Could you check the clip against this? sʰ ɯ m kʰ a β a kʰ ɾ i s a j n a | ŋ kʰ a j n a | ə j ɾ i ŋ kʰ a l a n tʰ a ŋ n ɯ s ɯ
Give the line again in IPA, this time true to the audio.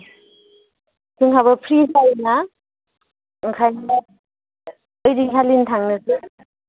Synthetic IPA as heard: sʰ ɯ ŋ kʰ a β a pʰ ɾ i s a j n a | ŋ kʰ a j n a | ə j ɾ i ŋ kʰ a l i n tʰ a ŋ n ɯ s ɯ

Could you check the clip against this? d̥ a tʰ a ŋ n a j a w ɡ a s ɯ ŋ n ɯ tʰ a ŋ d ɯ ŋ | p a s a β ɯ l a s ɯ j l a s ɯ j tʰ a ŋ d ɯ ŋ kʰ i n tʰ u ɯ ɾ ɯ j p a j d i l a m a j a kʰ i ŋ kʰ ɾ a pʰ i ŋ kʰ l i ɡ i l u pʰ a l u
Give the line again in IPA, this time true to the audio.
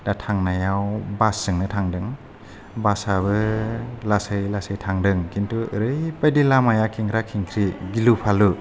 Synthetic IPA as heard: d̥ a tʰ a ŋ n a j a w b a s ɯ ŋ n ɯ tʰ a ŋ d ɯ ŋ | b a s a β ɯ l a s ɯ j l a s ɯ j tʰ a ŋ d ɯ ŋ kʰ i n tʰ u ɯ ɾ ɯ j p a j d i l a m a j a kʰ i ŋ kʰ ɾ a kʰ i ŋ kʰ ɾ i ɡ i l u pʰ a l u

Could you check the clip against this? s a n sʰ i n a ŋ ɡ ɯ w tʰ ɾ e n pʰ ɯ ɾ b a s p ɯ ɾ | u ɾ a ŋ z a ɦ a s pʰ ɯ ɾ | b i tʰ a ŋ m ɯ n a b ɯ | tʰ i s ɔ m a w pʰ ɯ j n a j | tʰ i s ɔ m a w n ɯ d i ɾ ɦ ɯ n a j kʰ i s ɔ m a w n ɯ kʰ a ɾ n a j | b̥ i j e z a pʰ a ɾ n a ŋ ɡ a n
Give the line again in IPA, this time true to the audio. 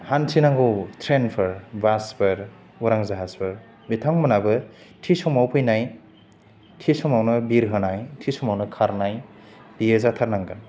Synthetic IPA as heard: h a n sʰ i n a ŋ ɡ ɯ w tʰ ɾ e n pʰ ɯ ɾ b a s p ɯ ɾ | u ɾ a ŋ z a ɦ a s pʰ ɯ ɾ | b i tʰ a ŋ m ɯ n a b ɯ | tʰ i s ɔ m a w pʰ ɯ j n a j | tʰ i s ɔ m a w n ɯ b i ɾ ɦ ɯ n a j tʰ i s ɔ m a w n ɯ kʰ a ɾ n a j | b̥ i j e z a tʰ a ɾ n a ŋ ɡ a n

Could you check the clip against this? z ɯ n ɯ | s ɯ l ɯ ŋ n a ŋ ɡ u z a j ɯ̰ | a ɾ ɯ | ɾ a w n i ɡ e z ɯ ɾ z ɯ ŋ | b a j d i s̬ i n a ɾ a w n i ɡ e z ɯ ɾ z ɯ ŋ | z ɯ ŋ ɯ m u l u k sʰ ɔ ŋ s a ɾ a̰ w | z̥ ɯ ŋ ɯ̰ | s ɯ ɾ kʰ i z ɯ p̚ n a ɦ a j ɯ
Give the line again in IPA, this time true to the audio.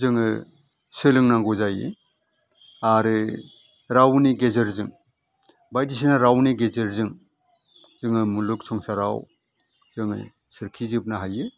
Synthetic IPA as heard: z ɯ ŋ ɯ | s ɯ l ɯ ŋ n a ŋ ɡ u z a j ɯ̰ | a ɾ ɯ | ɾ a w n i ɡ e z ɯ ɾ z ɯ ŋ | b a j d i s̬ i n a ɾ a w n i ɡ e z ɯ ɾ z ɯ ŋ | z ɯ ŋ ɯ m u l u k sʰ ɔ ŋ s a ɾ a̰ w | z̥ ɯ ŋ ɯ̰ | s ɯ ɾ kʰ i z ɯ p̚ n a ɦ a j ɯ

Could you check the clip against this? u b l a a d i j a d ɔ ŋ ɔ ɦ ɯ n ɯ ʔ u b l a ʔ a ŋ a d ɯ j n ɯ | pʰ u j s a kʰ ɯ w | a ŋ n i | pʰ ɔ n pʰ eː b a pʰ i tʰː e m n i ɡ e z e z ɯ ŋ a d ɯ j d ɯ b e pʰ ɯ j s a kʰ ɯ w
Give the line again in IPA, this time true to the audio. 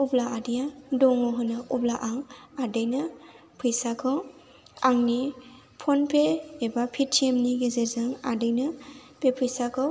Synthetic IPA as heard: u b l a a d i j a d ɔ ŋ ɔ ɦ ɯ n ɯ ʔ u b l a ʔ a ŋ a d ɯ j n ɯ | pʰ ɯ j s a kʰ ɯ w | a ŋ n i | pʰ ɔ n pʰ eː b a pʰ i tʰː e m n i ɡ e z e z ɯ ŋ a d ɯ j n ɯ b e pʰ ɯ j s a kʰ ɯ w

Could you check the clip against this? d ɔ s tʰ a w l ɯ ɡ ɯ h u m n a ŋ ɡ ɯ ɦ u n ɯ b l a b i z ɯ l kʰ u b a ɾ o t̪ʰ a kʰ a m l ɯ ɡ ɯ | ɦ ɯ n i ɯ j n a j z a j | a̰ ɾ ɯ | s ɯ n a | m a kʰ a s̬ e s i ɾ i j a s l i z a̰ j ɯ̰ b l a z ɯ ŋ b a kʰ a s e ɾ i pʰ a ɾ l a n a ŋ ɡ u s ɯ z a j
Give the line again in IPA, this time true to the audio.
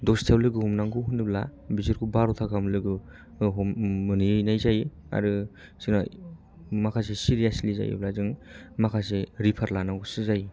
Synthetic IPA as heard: d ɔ s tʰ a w l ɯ ɡ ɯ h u m n a ŋ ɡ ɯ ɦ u n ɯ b l a b i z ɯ ɾ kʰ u b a ɾ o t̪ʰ a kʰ a m l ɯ ɡ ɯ | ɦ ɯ n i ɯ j n a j z a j | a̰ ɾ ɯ | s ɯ n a | m a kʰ a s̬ e s i ɾ i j a s l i z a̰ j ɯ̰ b l a z ɯ ŋ m a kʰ a s e ɾ i pʰ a ɾ l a n a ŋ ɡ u s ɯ z a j

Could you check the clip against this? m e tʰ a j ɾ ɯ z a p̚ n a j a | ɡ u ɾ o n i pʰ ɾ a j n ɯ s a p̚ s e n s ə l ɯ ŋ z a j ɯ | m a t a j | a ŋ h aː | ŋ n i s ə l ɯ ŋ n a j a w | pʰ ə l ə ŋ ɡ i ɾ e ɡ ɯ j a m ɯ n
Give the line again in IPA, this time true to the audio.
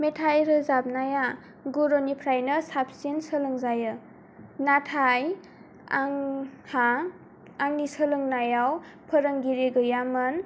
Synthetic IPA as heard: m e tʰ a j ɾ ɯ z a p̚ n a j a | ɡ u ɾ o n i pʰ ɾ a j n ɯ s a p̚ s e n s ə l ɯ ŋ z a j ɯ | n a tʰ a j | a ŋ h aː | ŋ n i s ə l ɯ ŋ n a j a w | pʰ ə ɾ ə ŋ ɡ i ɾ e ɡ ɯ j a m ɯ n

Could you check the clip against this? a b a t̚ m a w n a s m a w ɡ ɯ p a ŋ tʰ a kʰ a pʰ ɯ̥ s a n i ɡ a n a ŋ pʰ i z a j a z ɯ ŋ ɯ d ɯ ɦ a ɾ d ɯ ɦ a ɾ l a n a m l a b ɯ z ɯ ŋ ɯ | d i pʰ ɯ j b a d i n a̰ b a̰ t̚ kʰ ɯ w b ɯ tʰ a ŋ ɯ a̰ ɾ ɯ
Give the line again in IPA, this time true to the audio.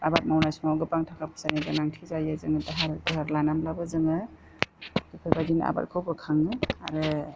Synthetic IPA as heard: a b a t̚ m a w n a s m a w ɡ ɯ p a ŋ tʰ a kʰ a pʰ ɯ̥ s a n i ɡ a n a ŋ tʰ i z a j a z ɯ ŋ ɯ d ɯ ɦ a ɾ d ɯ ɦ a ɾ l a n a m l a b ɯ z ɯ ŋ ɯ | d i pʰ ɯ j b a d i n a̰ b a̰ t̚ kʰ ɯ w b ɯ kʰ a ŋ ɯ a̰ ɾ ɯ

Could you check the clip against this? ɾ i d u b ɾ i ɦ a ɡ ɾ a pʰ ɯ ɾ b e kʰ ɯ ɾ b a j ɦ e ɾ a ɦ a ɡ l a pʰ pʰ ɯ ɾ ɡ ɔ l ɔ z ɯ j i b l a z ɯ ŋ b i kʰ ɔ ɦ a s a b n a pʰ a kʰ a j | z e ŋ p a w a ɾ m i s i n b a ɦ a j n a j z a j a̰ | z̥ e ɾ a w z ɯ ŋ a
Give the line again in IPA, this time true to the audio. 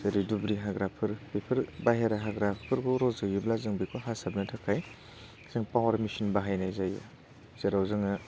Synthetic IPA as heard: ɾ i d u b ɾ i ɦ a ɡ ɾ a pʰ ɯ ɾ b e pʰ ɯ ɾ b a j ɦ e ɾ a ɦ a ɡ ɾ a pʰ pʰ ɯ ɾ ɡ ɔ ɾ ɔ z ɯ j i b l a z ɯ ŋ b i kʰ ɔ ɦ a s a b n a tʰ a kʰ a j | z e ŋ p a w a ɾ m i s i n b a ɦ a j n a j z a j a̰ | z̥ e ɾ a w z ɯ ŋ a

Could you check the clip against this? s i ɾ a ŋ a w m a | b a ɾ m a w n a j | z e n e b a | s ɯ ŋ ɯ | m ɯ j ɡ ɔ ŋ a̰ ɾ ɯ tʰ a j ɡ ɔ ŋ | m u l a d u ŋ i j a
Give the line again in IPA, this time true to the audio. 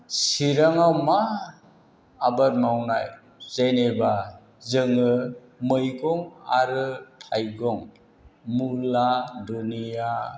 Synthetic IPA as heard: s i ɾ a ŋ a w m a | b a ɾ m a w n a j | z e n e b a | z ɯ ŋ ɯ | m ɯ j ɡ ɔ ŋ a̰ ɾ ɯ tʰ a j ɡ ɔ ŋ | m u l a d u n i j a

